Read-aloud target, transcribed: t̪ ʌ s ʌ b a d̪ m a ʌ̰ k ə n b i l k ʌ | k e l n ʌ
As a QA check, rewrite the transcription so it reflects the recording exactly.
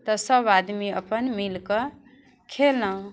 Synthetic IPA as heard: t̪ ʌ s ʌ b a d̪ m i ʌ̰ p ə n m i l k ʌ | kʰ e l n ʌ